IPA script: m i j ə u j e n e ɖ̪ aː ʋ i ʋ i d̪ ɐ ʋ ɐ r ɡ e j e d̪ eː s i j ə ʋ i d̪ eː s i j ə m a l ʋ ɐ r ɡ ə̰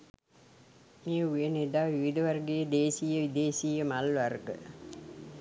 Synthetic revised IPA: m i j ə u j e n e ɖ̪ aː ʋ i ʋ i d̪ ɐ ʋ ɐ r ɡ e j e d̪ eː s i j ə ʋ i d̪ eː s i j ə m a l ʋ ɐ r ɡ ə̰